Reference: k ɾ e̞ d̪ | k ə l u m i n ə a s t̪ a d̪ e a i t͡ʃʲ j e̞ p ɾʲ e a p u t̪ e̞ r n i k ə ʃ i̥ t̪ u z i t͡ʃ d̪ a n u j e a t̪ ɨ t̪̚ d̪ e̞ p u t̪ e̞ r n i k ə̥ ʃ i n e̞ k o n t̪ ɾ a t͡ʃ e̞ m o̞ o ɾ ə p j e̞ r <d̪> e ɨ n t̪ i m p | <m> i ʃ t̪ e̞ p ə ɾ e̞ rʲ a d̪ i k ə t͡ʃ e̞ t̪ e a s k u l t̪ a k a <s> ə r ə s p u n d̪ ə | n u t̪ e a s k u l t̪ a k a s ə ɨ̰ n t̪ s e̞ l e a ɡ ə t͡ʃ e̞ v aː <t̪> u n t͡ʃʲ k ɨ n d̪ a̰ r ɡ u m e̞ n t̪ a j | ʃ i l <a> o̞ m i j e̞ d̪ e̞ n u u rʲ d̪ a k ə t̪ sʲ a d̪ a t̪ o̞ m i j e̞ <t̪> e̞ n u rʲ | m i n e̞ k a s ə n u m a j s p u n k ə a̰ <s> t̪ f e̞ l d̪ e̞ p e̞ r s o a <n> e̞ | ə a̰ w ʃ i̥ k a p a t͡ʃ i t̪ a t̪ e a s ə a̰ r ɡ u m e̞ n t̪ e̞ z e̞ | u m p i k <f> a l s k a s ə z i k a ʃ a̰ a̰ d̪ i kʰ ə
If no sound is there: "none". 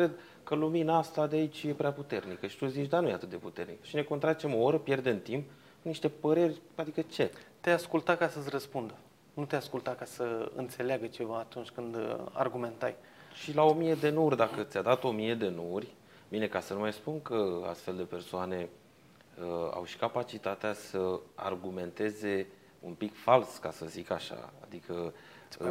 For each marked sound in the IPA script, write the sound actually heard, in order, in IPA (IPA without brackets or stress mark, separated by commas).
d̪, n, s, t̪, a, d̪, s, n, f